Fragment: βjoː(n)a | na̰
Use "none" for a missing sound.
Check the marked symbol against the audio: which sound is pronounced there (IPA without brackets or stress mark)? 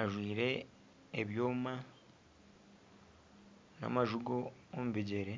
m